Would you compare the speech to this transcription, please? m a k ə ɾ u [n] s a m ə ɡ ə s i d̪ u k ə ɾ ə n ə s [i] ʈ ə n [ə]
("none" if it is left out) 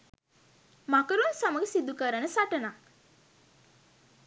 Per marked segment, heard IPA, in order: n, a, a

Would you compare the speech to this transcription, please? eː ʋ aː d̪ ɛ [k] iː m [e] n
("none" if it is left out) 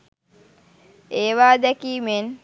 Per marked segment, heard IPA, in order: k, e

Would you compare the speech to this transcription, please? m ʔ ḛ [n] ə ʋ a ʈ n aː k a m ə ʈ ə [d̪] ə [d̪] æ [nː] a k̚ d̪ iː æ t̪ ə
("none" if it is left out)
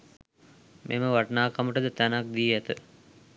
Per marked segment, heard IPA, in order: m, d̪, t̪, n

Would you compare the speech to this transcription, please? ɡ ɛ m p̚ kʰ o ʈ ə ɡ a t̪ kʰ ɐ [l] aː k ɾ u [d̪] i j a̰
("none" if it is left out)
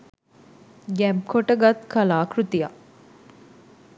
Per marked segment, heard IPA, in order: l, t̪

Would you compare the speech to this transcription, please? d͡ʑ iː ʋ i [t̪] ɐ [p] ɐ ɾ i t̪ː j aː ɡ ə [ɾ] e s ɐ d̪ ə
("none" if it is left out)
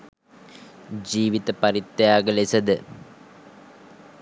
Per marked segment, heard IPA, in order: t̪, p, l

